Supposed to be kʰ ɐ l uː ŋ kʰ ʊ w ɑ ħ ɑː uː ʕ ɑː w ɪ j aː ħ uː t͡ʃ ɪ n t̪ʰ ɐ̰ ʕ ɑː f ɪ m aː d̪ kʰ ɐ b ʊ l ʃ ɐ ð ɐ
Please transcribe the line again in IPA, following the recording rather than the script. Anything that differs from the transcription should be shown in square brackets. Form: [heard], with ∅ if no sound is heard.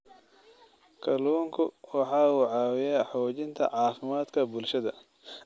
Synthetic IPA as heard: kʰ ɐ l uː ŋ kʰ ʊ w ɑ ħ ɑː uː ʕ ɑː w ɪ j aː ħ [ɔː] t͡ʃ ɪ n t̪ʰ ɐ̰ ʕ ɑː f ɪ m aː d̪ kʰ ɐ b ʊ l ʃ ɐ ð ɐ